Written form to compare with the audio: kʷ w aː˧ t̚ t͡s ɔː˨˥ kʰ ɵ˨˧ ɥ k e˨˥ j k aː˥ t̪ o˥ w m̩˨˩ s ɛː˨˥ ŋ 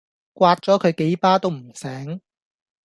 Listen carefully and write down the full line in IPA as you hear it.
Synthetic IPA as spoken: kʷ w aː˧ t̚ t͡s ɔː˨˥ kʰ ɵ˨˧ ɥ k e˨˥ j p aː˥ t̪ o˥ w m̩˨˩ s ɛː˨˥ ŋ

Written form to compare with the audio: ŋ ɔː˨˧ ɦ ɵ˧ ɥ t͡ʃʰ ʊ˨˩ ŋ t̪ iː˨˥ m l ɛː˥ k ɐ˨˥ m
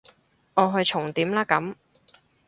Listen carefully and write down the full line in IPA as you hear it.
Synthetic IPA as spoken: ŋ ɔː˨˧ ɦ ɵ˧ ɥ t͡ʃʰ ʊ˨˩ ŋ t̪ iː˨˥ m l aː˥ k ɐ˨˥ m

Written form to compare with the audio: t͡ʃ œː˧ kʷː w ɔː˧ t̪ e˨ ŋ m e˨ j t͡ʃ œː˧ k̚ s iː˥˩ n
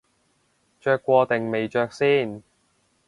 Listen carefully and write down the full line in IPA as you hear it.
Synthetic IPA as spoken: t͡ʃ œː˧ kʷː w ɔː˧ t̪ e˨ ŋ m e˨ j t͡ʃ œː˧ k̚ s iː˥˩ n

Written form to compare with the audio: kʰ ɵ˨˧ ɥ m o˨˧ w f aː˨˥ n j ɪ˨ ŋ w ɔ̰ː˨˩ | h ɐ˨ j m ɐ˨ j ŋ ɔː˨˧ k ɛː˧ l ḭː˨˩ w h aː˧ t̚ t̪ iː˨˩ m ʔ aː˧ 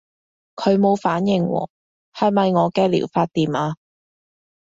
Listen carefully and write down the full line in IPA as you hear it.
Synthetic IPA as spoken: kʰ ɵ˨˧ ɥ m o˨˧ w f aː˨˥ n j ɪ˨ ŋ w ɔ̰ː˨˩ | h ɐ˨ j m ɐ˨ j ŋ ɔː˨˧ k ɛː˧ l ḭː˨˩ w f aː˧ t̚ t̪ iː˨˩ m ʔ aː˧

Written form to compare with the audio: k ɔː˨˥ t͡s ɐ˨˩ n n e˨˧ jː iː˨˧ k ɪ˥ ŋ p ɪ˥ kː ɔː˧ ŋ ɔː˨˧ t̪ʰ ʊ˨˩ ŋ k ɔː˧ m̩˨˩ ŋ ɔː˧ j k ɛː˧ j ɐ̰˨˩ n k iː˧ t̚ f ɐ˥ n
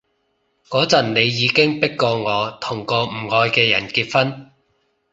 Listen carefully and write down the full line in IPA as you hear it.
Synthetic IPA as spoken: k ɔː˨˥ t͡s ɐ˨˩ n n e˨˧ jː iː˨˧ k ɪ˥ ŋ p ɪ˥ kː ɔː˧ ŋ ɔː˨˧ t̪ʰ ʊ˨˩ ŋ k ɔː˧ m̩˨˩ ŋ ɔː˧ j k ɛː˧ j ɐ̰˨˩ n k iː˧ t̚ f ɐ˥ n

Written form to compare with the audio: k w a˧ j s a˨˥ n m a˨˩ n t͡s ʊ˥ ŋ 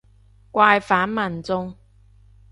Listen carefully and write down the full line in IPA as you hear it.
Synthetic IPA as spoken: k w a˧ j f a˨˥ n m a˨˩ n t͡s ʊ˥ ŋ

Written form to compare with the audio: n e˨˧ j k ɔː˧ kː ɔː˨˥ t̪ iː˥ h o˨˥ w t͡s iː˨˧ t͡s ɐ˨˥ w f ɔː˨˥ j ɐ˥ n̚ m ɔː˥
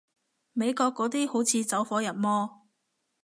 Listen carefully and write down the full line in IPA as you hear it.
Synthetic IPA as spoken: m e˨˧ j k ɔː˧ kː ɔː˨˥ t̪ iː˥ h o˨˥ w t͡sʰ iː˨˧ t͡s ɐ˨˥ w f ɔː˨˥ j ɐ˨˩ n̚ m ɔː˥

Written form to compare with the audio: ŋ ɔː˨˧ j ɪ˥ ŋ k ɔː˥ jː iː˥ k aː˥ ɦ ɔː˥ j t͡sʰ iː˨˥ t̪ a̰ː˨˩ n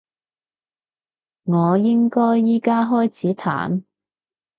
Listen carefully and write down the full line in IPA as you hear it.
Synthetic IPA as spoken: ŋ ɔː˨˧ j ɪ˥ ŋ k ɔː˥ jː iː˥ k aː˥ ɦ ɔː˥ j t͡sʰ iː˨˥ t̪ʰ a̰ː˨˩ n

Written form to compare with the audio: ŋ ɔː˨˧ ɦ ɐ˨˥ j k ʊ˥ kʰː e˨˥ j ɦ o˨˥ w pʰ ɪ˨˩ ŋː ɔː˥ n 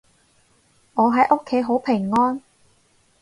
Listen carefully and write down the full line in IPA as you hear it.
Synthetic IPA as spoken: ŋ ɔː˨˧ ɦ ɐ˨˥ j ʔ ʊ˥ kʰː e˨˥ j ɦ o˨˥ w pʰ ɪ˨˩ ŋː ɔː˥ n

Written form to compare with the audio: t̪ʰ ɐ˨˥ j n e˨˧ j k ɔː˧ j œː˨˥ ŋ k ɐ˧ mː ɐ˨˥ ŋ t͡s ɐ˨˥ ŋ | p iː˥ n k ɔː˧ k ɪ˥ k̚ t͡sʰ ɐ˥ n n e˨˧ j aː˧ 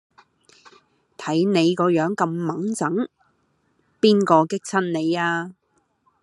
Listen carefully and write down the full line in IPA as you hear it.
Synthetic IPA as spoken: t̪ʰ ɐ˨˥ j n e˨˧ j k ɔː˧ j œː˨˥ ŋ k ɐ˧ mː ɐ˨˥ ŋ t͡s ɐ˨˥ ŋ | p iː˥ n k ɔː˧ k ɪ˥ k̚ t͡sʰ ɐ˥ n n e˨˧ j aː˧

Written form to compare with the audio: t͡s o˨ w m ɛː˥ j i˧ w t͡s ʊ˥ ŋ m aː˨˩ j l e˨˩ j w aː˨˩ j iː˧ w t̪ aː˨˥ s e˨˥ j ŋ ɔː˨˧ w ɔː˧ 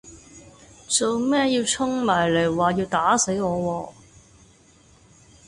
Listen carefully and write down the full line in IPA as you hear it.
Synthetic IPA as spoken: t͡s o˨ w m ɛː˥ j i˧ w t͡sʰ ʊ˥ ŋ m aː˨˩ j l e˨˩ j w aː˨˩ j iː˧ w t̪ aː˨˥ s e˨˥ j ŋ ɔː˨˧ w ɔː˧

